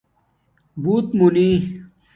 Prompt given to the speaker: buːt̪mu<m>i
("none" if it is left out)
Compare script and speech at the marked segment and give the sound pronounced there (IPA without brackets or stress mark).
n